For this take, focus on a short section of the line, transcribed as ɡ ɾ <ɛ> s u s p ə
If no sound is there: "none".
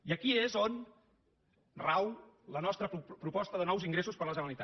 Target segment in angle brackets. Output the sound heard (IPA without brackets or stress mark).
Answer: e